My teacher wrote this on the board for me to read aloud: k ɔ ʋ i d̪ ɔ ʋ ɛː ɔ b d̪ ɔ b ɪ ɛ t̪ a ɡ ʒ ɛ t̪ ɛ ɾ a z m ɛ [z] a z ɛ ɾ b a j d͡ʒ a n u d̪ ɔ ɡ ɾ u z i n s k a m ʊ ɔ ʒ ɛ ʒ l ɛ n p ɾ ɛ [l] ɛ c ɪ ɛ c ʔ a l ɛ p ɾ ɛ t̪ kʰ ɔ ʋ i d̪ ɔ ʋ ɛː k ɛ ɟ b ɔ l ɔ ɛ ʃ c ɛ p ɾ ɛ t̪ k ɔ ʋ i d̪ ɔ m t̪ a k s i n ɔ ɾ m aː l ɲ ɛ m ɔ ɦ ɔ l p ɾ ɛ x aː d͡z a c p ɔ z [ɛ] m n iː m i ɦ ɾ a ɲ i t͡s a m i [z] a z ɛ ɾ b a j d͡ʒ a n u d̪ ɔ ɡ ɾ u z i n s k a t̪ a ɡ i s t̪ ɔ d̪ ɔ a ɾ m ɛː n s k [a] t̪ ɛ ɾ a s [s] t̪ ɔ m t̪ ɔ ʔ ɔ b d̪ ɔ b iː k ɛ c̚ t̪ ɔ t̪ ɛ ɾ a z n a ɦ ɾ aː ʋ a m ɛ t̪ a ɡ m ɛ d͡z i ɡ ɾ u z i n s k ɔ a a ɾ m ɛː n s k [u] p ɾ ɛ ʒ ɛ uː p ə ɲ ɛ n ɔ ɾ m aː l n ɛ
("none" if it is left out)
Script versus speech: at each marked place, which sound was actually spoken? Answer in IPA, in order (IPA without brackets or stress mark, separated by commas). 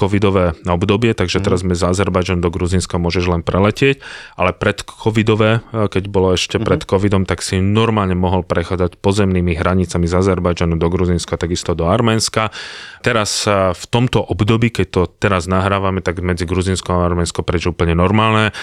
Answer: z, l, ɛ, z, a, f, ɔ